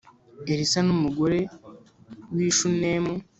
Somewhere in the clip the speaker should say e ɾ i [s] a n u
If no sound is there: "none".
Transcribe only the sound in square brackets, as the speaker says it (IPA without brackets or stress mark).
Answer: s